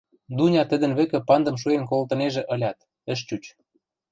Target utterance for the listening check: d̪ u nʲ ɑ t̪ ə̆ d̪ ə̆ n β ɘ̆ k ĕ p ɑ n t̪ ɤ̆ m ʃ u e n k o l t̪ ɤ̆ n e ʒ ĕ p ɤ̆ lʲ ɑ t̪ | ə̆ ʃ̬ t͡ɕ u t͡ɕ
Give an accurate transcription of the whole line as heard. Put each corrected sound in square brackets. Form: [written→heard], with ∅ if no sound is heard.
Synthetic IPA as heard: d̪ u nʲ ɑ t̪ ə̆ d̪ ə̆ n β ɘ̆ k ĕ p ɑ n [t̪→d̪] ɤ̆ m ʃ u e n k o l t̪ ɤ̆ n e ʒ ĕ [p→ʔ] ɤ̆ lʲ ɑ t̪ | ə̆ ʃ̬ t͡ɕ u t͡ɕ

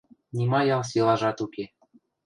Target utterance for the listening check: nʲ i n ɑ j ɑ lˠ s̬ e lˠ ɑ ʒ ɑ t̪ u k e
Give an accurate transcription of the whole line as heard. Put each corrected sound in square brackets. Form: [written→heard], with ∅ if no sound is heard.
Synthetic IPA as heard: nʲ i [n→m] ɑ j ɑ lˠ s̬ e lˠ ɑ ʒ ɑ t̪ u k e

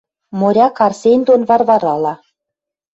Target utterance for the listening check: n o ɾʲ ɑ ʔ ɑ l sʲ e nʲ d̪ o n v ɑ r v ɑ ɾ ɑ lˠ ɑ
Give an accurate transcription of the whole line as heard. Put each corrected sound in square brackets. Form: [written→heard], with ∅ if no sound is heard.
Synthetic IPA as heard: [n→m] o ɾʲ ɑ [ʔ→k] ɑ [l→r] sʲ e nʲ d̪ o n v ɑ r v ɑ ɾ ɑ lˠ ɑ

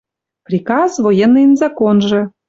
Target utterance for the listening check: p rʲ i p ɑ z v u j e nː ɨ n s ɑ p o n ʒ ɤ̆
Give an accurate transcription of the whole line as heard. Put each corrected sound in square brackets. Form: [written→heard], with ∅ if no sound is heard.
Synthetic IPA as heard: p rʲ i [p→k] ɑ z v [u→o] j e nː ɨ n [s→z] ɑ [p→k] o n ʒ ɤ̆

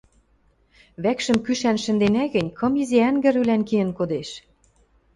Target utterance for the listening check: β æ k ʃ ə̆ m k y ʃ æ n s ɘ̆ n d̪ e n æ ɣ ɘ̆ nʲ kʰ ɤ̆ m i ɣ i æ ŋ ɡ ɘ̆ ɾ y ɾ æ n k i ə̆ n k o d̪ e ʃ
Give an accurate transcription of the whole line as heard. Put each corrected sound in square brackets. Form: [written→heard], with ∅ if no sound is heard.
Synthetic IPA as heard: β æ k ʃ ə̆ m k y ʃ æ n [s→ʃ] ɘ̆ n d̪ e n æ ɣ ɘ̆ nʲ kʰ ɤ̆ m i [ɣ→z] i æ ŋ ɡ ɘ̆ ɾ y [ɾ→l] æ n k i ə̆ n k o d̪ e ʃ

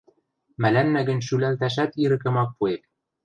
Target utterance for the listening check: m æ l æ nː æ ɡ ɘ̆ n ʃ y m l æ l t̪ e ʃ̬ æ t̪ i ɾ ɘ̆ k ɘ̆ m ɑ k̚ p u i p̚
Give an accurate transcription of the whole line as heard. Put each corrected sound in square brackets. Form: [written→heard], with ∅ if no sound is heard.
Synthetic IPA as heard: m æ l æ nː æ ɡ ɘ̆ n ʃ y [m→∅] l æ l t̪ [e→æ] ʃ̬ æ t̪ i ɾ ɘ̆ k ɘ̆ m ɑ k̚ p u [i→e] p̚

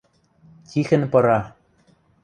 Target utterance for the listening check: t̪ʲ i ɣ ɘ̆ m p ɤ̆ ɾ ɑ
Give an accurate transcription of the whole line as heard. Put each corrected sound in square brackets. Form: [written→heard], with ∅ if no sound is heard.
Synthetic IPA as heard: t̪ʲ i [ɣ→x] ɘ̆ [m→n] p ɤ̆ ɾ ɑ

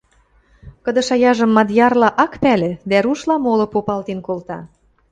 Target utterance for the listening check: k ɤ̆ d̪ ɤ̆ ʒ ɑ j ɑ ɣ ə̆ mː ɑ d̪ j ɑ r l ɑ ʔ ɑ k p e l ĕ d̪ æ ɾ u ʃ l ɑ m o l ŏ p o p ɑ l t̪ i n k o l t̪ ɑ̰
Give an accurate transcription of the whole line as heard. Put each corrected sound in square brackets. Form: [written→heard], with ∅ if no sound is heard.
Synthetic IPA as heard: k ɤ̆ d̪ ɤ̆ [ʒ→ʃ] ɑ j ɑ [ɣ→ʒ] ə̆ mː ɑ d̪ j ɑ r l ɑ ʔ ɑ k p [e→æ] l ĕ d̪ æ ɾ u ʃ l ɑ m o l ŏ p o p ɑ l t̪ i n k o l t̪ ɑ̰

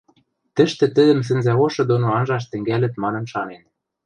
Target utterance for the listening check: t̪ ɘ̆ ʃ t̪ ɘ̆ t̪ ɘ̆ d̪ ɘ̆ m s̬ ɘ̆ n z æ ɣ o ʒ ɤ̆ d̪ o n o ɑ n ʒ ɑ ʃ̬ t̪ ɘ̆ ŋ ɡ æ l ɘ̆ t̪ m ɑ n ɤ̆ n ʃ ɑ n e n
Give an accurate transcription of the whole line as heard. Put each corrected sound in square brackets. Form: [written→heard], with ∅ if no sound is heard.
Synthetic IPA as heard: t̪ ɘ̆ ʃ t̪ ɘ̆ t̪ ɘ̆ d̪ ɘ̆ m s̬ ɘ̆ n z æ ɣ o [ʒ→ʃ] ɤ̆ d̪ o n o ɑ n ʒ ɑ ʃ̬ t̪ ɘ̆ ŋ ɡ æ l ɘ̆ t̪ m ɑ n ɤ̆ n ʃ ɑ n e n

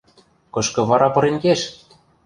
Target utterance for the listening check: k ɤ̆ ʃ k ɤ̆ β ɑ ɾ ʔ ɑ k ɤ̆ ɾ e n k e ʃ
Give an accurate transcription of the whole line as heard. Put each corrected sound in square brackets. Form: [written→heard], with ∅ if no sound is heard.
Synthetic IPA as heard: k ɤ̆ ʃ k ɤ̆ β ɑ ɾ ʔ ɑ [k→p] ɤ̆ ɾ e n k e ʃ

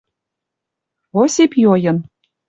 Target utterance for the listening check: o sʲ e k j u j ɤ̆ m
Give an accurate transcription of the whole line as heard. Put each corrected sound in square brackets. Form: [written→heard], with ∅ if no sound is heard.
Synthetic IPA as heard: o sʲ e [k→p] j [u→o] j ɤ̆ [m→n]

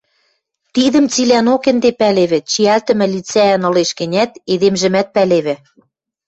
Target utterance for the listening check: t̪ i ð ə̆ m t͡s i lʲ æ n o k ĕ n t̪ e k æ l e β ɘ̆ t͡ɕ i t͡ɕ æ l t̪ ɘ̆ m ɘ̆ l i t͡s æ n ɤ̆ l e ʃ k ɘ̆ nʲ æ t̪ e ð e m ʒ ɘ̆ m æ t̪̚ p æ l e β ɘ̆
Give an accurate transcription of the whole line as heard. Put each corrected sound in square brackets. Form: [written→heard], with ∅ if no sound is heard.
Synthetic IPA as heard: t̪ i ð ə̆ m t͡s i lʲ æ n o k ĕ n [t̪→d̪] e [k→p] æ l e β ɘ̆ t͡ɕ i [t͡ɕ→∅] æ l t̪ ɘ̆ m ɘ̆ l i t͡s æ n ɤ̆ l e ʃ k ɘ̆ nʲ æ t̪ e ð e m ʒ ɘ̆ m æ t̪̚ p æ l e β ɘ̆

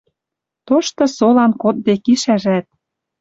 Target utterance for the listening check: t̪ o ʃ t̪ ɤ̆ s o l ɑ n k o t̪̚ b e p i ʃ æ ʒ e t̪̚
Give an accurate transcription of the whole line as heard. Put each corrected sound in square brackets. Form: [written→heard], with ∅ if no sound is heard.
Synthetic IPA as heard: t̪ o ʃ t̪ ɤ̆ s o l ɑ n k o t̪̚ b e [p→k] i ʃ æ ʒ [e→æ] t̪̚

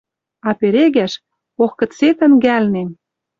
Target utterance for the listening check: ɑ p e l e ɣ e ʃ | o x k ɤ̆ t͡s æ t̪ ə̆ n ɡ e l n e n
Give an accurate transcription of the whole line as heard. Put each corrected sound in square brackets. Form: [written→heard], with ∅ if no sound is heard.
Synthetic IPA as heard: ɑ p e [l→ɾ] e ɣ [e→æ] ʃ | o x k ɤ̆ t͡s [æ→e] t̪ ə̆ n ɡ [e→æ] l n e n

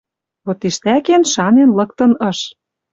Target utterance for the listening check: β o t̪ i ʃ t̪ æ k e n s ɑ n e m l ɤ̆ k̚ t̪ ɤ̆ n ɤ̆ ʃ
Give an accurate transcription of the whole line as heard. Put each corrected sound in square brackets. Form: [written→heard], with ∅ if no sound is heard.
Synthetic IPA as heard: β o t̪ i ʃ t̪ æ k e n [s→ʃ] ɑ n e [m→n] l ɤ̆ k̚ t̪ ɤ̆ n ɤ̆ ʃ

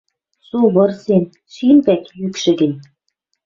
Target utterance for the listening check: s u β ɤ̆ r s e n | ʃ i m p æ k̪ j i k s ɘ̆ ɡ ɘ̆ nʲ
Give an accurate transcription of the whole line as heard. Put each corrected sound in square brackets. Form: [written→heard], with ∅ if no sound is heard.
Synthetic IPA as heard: s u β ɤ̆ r s e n | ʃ i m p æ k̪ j [i→y] k [s→ʃ] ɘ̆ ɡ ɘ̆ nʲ

